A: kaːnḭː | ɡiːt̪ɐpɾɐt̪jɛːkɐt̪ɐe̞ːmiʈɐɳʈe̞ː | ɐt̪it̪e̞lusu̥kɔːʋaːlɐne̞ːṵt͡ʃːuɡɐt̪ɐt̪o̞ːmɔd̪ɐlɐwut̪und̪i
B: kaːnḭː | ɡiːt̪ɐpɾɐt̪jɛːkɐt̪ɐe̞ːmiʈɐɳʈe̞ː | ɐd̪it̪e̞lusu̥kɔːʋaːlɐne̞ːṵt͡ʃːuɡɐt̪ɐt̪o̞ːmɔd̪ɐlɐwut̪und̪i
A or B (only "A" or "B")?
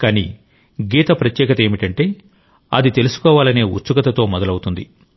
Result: B